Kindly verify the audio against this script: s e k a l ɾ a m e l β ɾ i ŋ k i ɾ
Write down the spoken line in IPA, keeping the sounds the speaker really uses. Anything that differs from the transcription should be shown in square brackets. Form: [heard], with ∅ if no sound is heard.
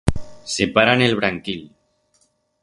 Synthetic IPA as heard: s e [p] a [∅] ɾ a [n] e l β ɾ [a] ŋ k i [l]

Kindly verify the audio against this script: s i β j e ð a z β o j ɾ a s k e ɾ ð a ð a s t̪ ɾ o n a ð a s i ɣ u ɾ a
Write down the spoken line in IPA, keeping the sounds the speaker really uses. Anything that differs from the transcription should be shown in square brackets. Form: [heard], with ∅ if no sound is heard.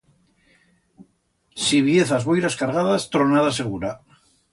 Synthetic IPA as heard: s i β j e [θ] a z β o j ɾ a s k [a] ɾ [ɣ] a ð a s t̪ ɾ o n a ð a s [e] ɣ u ɾ a

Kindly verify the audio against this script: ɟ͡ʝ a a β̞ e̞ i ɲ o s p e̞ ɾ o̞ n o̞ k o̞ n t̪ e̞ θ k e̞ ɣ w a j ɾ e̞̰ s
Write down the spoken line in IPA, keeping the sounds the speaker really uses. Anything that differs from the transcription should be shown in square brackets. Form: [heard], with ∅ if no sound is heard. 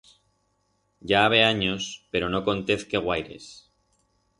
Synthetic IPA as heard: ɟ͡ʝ a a β̞ e̞ [a] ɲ o s p e̞ ɾ o̞ n o̞ k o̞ n t̪ e̞ θ k e̞ ɣ w a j ɾ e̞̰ s

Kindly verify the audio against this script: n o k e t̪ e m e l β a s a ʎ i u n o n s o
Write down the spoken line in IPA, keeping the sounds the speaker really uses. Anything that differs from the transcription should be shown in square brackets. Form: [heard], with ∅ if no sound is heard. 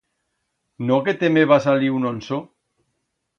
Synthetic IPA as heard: n o k e t̪ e m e [∅] β a s a [l] i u n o n s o

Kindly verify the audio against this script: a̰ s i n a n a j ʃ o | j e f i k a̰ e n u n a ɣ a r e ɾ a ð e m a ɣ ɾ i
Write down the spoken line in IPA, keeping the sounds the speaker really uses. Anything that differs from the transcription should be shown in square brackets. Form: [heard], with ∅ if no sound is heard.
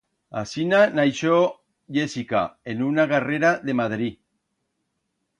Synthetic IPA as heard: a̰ s i n a n a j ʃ o | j e [s] i k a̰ e n u n a ɣ a r e ɾ a ð e m a [ð] ɾ i

